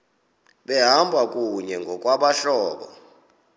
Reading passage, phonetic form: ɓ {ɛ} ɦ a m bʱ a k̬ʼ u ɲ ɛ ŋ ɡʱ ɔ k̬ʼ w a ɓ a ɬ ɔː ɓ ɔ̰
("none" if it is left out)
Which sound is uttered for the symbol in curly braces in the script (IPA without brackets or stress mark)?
ɛ